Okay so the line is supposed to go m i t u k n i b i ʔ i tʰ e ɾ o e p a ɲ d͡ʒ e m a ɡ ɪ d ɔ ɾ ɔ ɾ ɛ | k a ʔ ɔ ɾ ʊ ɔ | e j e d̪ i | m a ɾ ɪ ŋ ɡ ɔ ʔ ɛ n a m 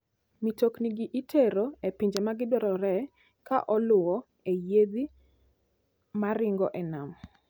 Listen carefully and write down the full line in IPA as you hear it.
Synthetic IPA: m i t o k n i ɡ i ʔ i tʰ e ɾ o e p i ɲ d͡ʒ e m a ɡ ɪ d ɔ ɾ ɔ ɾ ɛ | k a ʔ ɔ l ʊ ɔ | e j e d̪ i | m a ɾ ɪ ŋ ɡ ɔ ʔ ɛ n a m